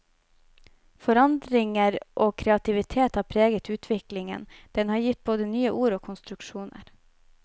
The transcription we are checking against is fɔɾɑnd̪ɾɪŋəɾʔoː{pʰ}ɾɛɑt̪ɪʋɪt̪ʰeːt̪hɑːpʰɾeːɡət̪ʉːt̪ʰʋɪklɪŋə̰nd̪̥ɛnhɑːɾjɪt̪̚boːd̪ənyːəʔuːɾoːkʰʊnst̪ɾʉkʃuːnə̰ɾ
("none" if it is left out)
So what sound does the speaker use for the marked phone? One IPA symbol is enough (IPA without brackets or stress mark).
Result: kʰ